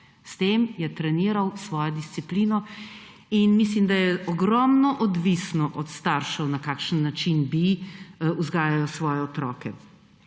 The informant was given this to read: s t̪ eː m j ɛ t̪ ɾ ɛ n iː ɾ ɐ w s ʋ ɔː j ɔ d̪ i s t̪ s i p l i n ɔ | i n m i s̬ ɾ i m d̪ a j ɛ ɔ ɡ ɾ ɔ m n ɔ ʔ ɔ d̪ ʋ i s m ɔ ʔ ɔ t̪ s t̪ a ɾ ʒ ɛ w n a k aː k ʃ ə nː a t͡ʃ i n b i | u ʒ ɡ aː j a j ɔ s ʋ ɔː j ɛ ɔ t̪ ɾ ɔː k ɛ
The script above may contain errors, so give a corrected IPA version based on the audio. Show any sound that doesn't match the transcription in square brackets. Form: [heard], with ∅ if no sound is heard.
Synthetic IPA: s t̪ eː m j ɛ t̪ ɾ ɛ n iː ɾ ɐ w s ʋ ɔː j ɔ d̪ i s t̪ s i p l i n ɔ | i n m i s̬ [l] i m d̪ a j ɛ ɔ ɡ ɾ ɔ m n ɔ ʔ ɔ d̪ ʋ i s [n] ɔ ʔ ɔ t̪ s t̪ a ɾ [ʃ] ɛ w n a k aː k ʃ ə nː a t͡ʃ i n b i | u [z] ɡ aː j a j ɔ s ʋ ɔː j ɛ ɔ t̪ ɾ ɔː k ɛ